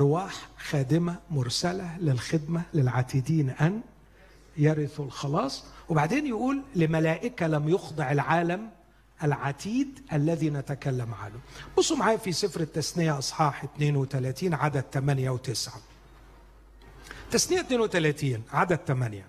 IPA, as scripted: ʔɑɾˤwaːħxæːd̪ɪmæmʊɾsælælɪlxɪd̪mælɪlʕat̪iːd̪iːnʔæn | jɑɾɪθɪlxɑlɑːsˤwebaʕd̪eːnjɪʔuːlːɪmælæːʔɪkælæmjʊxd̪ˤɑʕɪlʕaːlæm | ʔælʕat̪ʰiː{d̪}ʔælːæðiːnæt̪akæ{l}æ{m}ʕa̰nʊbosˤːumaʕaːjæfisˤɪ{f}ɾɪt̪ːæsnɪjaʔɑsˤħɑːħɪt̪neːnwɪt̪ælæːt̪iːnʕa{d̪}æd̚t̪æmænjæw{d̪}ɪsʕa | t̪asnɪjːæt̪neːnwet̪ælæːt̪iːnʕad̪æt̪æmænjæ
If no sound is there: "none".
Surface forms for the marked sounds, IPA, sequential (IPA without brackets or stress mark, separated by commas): d̪, lː, m, f, d̪, t̪